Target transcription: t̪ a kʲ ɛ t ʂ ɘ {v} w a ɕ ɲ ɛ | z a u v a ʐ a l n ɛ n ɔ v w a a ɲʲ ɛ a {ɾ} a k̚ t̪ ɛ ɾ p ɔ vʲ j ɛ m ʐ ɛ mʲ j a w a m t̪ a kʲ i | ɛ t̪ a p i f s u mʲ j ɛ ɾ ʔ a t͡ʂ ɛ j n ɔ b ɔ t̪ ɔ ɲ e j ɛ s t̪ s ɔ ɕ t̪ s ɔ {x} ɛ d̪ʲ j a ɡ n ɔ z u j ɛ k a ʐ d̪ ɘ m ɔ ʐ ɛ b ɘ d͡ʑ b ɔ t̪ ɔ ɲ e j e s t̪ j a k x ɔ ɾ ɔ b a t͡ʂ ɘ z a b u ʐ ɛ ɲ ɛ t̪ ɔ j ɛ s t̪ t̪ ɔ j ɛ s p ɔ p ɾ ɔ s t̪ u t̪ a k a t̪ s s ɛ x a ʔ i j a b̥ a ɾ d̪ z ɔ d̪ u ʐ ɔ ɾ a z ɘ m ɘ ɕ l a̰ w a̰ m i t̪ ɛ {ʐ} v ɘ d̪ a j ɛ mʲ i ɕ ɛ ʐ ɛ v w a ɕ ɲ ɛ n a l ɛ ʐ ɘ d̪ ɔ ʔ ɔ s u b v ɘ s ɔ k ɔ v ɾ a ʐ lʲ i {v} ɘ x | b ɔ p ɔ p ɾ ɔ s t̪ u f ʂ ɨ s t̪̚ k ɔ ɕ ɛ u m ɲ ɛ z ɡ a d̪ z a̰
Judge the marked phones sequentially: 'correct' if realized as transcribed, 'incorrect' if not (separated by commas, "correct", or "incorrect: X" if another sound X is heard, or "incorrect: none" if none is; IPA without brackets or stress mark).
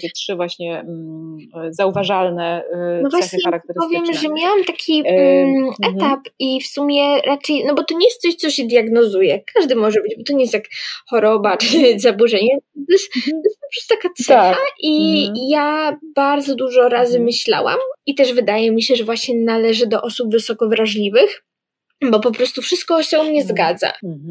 correct, correct, incorrect: ɕ, correct, correct